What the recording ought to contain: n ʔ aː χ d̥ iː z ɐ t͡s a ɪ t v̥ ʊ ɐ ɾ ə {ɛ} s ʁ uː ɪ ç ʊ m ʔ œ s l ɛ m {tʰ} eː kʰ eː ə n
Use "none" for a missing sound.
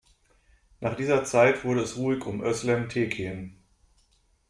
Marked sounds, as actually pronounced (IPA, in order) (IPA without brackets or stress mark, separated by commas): ɛ, tʰ